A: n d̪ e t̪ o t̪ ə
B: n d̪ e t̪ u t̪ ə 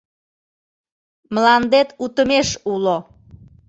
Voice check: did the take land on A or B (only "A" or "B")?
B